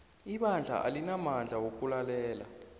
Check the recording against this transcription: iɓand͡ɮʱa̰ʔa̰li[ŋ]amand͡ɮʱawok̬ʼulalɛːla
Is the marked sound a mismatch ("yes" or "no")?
yes